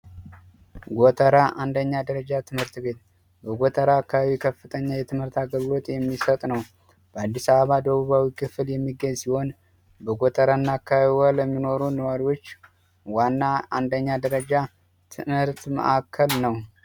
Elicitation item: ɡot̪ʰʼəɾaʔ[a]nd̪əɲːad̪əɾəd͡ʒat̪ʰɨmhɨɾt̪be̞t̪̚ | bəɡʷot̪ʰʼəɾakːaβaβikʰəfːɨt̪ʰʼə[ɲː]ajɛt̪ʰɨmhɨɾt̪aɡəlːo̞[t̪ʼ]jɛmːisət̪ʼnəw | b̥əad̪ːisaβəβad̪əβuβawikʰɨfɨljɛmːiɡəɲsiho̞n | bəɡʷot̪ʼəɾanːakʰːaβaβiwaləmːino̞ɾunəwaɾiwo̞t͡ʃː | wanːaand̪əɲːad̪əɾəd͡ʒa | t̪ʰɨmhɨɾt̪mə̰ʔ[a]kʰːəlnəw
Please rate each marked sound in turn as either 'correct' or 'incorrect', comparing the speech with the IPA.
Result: correct, correct, correct, correct

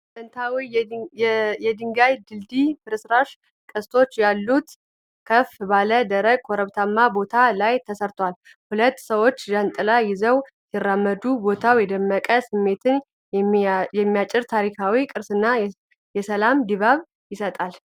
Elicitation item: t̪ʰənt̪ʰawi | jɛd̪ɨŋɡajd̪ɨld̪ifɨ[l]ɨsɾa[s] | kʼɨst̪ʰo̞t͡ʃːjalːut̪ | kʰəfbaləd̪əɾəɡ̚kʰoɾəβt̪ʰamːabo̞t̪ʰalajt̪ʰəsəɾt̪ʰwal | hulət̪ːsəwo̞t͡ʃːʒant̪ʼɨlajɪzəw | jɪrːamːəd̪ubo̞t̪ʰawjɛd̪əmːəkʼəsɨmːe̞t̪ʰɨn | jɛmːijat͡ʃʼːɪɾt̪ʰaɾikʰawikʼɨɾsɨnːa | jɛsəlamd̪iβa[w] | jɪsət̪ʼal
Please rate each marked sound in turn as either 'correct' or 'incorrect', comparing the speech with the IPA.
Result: incorrect: ɾ, incorrect: ʃ, incorrect: β

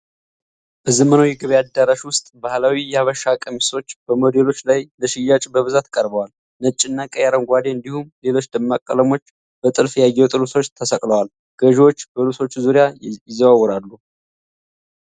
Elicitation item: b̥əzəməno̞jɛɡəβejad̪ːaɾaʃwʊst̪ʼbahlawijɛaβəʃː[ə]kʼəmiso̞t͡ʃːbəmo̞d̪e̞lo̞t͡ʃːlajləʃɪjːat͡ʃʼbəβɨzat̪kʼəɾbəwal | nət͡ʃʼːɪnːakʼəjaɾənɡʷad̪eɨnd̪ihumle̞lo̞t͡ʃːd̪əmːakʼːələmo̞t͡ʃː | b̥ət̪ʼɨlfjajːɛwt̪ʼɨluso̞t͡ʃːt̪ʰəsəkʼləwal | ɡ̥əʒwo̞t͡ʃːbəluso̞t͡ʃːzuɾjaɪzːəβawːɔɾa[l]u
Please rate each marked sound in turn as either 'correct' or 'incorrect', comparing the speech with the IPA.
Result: incorrect: a, incorrect: lː

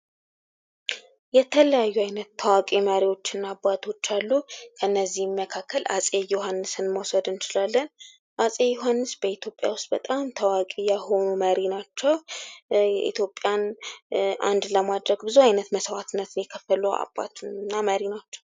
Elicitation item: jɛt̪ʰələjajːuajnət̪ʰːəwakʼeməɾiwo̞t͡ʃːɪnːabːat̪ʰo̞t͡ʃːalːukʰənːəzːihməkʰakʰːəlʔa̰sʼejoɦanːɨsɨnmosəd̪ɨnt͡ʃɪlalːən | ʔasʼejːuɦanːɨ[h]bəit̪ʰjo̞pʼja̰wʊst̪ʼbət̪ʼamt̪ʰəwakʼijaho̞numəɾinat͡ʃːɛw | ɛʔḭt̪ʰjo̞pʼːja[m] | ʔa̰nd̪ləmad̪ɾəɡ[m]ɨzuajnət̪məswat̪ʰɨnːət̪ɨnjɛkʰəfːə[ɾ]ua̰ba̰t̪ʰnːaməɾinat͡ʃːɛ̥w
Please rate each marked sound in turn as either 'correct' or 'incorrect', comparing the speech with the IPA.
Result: incorrect: s, incorrect: n, incorrect: b, incorrect: l

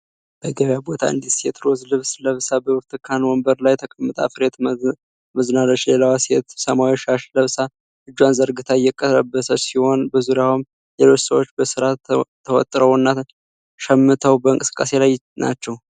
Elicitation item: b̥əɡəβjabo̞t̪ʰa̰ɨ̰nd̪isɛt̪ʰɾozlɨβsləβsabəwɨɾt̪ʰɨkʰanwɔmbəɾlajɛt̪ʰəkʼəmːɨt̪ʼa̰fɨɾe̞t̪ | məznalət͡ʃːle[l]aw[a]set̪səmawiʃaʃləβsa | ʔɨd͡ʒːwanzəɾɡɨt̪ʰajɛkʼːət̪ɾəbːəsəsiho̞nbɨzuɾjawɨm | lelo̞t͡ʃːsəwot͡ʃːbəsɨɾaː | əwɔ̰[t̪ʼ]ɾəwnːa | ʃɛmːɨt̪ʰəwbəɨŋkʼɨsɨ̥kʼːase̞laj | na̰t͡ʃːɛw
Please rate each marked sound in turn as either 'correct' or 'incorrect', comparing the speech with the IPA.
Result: correct, correct, correct

